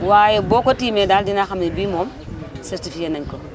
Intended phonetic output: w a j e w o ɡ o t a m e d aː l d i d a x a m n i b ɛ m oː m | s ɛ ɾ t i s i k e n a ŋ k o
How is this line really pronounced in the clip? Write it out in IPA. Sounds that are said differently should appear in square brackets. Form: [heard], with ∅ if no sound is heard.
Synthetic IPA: w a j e [b] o [k] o t [i] m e d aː l d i [n] a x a m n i b [i] m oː m | s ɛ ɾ t i [f] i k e n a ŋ k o